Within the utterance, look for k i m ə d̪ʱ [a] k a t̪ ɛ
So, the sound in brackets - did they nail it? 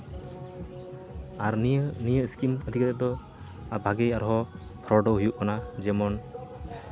no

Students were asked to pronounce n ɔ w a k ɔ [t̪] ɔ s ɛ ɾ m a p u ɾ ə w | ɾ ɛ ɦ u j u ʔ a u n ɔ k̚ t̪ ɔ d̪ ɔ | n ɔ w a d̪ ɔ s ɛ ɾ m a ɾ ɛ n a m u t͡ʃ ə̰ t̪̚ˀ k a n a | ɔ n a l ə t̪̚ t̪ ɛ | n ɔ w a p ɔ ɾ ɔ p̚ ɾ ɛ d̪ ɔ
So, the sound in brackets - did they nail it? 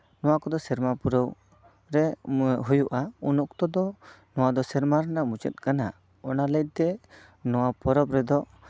no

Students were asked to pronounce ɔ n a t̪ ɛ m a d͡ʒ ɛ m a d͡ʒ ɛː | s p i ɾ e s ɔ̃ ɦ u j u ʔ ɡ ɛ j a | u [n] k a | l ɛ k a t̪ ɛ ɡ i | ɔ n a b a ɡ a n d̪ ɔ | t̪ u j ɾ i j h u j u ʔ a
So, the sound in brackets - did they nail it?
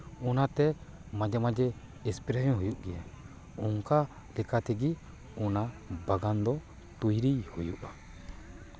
no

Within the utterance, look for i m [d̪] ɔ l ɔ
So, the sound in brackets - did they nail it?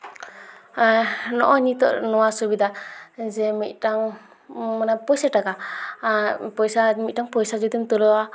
no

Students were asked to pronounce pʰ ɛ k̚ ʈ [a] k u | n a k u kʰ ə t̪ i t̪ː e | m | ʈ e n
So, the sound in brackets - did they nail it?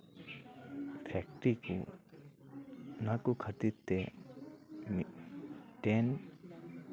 no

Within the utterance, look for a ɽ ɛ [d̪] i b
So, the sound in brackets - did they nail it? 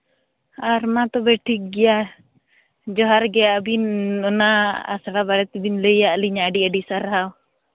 no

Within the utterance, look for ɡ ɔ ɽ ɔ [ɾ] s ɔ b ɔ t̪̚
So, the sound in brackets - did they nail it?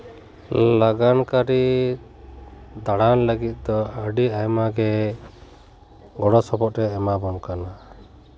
no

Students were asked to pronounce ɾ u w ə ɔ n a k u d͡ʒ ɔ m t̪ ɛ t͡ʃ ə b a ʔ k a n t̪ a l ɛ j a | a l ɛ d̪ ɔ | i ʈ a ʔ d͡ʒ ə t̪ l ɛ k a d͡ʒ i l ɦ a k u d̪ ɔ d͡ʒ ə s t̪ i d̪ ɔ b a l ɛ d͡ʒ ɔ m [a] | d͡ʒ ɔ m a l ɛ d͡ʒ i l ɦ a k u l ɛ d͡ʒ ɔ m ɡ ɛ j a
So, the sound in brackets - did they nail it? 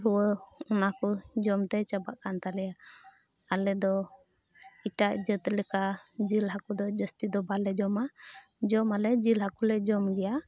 yes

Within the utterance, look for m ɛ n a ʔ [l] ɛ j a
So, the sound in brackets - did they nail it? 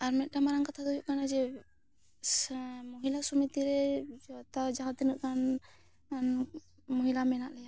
yes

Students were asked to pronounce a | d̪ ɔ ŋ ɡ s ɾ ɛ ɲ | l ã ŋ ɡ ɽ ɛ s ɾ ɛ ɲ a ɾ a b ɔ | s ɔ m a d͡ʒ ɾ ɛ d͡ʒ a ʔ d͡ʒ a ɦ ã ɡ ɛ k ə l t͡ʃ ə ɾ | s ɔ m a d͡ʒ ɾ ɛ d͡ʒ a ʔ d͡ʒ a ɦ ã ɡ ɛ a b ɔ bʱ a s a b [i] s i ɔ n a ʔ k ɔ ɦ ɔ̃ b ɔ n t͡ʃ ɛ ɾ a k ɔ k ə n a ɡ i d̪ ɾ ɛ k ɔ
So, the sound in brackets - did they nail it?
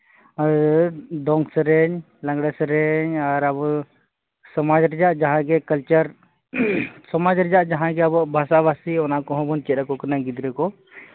no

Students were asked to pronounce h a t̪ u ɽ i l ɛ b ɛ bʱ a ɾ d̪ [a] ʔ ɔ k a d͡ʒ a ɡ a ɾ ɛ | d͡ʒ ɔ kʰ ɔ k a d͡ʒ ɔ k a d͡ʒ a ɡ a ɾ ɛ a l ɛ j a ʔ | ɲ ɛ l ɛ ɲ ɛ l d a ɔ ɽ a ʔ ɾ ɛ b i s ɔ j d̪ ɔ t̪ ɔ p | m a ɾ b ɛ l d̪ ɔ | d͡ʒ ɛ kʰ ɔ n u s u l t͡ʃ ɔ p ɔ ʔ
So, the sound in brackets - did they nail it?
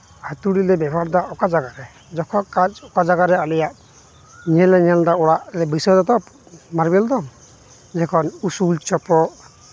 yes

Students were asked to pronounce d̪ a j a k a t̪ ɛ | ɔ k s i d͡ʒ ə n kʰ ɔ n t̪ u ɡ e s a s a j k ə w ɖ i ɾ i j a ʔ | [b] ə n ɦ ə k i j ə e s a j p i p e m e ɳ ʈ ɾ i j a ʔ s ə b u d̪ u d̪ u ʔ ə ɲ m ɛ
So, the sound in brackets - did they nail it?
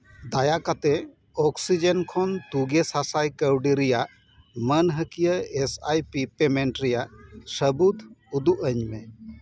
no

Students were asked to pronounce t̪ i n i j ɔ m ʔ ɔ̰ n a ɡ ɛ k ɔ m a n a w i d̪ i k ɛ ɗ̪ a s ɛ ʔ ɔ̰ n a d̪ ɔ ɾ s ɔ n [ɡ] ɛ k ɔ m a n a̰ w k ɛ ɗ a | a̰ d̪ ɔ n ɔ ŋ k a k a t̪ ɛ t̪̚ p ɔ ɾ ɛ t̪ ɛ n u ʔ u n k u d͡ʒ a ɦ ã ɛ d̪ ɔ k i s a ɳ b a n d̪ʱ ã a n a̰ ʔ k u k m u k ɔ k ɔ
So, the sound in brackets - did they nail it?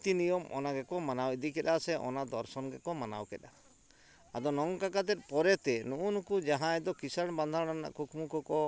yes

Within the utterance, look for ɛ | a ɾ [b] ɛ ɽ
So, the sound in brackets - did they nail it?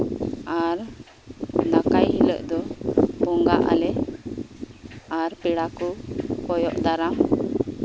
no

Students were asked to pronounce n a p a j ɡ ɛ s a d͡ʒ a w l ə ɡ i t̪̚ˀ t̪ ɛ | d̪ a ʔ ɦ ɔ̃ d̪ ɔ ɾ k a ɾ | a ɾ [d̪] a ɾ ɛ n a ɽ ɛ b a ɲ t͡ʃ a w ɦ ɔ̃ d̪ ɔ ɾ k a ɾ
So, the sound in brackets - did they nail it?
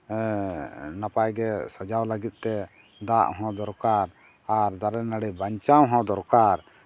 yes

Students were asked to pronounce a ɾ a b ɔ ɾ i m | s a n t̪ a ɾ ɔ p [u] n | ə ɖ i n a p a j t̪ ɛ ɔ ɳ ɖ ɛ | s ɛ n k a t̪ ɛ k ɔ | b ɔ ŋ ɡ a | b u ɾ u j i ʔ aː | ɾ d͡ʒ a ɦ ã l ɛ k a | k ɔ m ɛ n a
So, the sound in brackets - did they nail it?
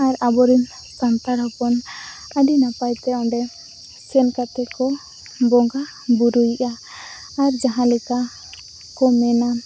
no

